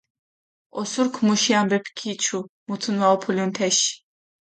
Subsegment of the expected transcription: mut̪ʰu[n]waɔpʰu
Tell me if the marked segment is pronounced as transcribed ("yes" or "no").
yes